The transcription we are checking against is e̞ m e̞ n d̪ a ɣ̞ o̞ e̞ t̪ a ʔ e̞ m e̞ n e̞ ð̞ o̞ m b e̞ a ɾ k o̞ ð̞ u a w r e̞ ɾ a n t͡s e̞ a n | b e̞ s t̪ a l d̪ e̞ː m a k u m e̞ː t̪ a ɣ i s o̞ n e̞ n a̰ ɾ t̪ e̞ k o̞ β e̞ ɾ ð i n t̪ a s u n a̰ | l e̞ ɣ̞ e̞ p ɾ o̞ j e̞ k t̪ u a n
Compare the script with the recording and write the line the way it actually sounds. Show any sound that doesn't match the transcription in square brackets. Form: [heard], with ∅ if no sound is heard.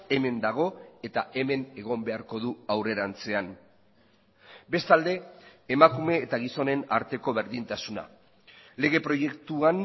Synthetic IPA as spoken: e̞ m e̞ n d̪ a ɣ̞ o̞ e̞ t̪ a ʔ e̞ m e̞ n e̞ [ɣ̞] o̞ m b e̞ a ɾ k o̞ ð̞ u a w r e̞ ɾ a n t͡s e̞ a n | b e̞ s t̪ a l d̪ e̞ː m a k u m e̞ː t̪ a ɣ i s o̞ n e̞ n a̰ ɾ t̪ e̞ k o̞ β e̞ ɾ ð i n t̪ a s u n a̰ | l e̞ ɣ̞ e̞ p ɾ o̞ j e̞ k t̪ u a n